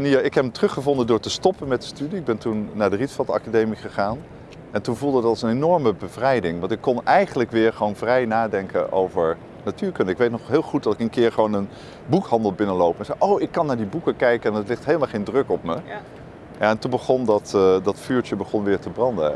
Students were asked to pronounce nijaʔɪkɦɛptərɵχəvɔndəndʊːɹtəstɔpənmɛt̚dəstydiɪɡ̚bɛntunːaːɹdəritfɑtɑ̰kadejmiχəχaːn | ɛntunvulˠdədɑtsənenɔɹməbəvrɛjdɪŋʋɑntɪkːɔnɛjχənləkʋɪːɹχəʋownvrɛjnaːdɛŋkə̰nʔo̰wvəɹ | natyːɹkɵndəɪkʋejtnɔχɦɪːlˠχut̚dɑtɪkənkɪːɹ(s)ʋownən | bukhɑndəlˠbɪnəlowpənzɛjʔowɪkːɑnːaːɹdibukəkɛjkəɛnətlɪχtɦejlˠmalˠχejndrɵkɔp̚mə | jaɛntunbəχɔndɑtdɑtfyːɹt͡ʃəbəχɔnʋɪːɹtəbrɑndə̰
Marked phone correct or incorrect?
incorrect